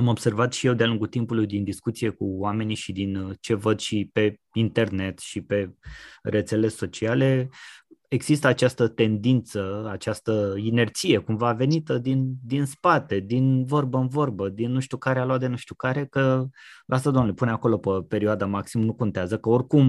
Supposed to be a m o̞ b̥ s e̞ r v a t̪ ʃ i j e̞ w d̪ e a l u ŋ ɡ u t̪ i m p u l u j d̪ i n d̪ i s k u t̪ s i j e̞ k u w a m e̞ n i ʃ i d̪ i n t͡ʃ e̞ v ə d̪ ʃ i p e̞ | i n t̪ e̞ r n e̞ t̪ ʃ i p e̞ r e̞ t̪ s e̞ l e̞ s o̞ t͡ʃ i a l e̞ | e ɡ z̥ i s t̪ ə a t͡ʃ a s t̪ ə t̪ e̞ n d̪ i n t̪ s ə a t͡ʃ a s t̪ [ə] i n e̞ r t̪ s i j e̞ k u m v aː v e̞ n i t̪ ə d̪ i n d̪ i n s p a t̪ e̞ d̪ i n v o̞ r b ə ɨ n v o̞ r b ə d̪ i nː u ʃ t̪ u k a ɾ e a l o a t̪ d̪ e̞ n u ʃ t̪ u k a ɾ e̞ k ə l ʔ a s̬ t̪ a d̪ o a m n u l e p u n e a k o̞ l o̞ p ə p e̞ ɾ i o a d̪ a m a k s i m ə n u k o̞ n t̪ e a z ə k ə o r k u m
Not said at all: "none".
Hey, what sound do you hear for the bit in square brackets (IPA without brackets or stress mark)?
ə